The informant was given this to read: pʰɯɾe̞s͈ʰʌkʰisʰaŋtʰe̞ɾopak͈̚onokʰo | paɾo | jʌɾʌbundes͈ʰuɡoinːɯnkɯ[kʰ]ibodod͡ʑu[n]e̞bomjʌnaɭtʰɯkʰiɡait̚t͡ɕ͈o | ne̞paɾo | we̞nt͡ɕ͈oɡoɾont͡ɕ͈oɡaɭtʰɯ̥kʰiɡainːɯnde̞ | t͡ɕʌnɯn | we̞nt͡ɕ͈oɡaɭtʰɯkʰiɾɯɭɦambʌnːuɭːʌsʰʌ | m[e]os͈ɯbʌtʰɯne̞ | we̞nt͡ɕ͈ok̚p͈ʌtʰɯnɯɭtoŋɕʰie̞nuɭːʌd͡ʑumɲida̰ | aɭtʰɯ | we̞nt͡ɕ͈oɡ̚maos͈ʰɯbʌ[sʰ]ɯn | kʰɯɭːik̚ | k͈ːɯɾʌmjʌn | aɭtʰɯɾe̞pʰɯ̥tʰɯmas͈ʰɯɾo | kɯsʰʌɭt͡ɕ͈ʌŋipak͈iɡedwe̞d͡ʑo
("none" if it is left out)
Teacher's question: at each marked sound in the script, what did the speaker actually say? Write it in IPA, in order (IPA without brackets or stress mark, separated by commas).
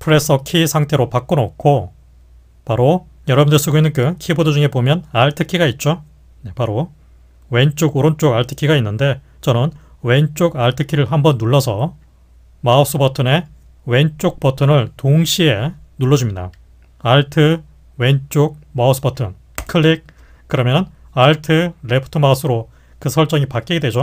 kʰ, ŋ, a, tʰ